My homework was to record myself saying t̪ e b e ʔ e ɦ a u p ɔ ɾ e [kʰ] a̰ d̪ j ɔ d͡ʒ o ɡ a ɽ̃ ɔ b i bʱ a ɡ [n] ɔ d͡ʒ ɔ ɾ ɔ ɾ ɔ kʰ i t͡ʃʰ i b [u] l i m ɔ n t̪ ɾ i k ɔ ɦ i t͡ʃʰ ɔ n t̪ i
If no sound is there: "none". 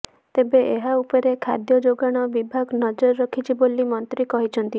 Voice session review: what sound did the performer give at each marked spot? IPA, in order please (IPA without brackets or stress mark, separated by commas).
kʰ, n, o